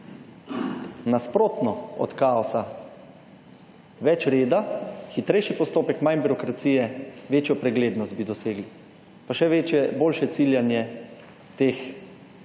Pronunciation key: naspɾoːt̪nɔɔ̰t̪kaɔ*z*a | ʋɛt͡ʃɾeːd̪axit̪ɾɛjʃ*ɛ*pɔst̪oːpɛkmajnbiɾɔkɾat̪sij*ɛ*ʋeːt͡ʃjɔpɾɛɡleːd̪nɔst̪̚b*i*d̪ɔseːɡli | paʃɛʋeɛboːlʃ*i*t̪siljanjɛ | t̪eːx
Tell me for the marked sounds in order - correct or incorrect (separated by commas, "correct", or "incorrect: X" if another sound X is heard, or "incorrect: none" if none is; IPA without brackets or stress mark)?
incorrect: s, incorrect: i, correct, correct, incorrect: ɛ